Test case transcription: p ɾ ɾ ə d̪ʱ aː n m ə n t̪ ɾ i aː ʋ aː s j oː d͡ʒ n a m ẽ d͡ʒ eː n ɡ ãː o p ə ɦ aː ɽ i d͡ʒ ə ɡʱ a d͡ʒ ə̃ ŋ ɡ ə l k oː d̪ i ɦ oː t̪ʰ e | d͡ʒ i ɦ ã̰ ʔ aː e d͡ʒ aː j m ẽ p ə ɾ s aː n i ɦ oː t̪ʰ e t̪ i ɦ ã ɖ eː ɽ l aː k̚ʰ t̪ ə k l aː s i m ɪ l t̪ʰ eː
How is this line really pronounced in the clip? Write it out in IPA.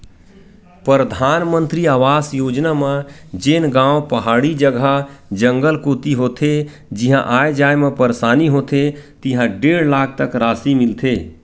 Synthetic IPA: p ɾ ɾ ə d̪ʱ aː n m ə n t̪ ɾ i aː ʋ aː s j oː d͡ʒ n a m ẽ d͡ʒ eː n ɡ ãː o p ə ɦ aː ɽ i d͡ʒ ə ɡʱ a d͡ʒ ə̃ ŋ ɡ ə l k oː t̪ i ɦ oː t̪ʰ e | d͡ʒ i ɦ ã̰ ʔ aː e d͡ʒ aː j m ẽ p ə ɾ s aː n i ɦ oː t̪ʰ e t̪ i ɦ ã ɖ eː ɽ l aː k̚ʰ t̪ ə k ɾ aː s i m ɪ l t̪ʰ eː